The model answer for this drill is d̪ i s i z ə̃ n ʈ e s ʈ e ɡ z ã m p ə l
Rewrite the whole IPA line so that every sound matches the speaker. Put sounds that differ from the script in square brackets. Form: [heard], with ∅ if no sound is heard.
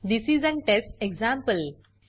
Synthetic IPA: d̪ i s i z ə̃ n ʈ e s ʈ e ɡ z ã m p ə l